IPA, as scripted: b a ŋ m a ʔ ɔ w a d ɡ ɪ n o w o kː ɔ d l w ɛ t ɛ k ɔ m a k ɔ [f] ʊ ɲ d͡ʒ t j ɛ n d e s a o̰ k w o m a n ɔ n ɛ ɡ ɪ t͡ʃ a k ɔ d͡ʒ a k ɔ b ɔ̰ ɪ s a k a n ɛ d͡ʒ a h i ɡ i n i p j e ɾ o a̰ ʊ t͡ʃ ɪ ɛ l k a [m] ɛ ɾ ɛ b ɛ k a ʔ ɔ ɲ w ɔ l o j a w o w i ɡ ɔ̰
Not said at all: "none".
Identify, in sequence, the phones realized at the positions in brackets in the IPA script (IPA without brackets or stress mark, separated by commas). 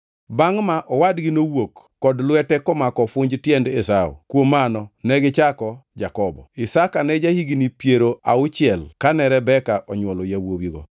f, n